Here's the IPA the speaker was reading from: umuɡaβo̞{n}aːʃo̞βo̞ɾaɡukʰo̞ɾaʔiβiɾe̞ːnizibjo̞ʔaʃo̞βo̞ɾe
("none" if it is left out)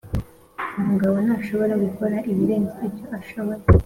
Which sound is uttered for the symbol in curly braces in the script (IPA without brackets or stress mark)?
n